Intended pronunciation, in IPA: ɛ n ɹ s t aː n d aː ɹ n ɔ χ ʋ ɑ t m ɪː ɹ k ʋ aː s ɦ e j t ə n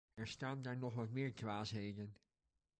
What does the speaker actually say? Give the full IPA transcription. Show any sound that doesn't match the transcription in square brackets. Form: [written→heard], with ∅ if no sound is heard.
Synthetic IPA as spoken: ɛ [n→∅] ɹ s t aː n d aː ɹ n ɔ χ ʋ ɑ t m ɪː ɹ k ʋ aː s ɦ e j [t→d] ə n